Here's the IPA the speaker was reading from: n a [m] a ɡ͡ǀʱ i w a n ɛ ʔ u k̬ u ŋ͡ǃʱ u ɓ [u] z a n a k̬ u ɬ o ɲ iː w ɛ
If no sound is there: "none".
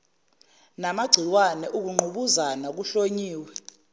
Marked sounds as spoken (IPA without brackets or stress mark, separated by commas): m, u